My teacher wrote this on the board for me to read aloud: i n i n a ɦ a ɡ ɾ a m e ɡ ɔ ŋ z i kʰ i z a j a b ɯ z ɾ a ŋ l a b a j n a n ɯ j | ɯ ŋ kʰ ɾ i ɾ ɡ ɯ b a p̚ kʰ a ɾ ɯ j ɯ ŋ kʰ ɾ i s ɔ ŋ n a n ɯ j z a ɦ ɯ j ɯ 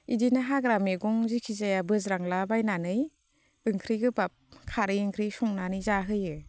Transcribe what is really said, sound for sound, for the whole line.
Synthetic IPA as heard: i d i n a ɦ a ɡ ɾ a m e ɡ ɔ ŋ z i kʰ i z a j a b ɯ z ɾ a ŋ l a b a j n a n ɯ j | ɯ ŋ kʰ ɾ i ɡ ɯ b a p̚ kʰ a ɾ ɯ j ɯ ŋ kʰ ɾ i s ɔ ŋ n a n ɯ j z a ɦ ɯ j ɯ